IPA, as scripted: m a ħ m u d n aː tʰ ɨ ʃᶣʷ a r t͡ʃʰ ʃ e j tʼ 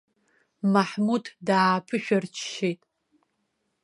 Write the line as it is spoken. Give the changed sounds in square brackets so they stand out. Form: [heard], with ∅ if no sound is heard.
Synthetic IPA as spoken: m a ħ m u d [d] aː [pʰ] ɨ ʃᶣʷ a r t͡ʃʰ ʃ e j tʼ